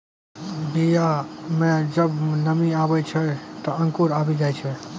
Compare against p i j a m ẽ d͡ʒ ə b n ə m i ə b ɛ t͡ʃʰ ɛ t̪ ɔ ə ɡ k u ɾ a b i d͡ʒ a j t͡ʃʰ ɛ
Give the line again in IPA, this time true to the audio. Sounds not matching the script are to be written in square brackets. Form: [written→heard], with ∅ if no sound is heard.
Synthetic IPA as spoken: [p→b] i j a m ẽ d͡ʒ ə b n ə m i [ə→a] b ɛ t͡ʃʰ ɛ t̪ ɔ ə [ɡ→ŋ] k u ɾ a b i d͡ʒ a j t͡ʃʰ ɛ